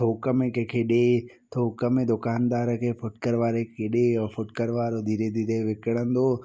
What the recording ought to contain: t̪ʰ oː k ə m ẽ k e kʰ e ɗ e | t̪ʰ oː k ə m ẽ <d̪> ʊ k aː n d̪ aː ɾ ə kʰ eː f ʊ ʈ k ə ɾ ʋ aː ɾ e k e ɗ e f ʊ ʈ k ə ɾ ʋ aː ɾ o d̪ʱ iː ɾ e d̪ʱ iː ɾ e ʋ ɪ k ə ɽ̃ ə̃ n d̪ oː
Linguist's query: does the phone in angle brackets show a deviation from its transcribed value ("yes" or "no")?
no